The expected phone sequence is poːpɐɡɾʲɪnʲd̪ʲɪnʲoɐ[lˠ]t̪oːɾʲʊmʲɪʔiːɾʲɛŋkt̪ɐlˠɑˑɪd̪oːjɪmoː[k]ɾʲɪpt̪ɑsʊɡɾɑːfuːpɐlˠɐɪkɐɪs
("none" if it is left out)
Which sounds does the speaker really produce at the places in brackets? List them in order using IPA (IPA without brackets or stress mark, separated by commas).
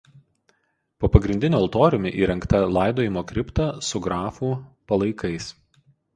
lˠ, k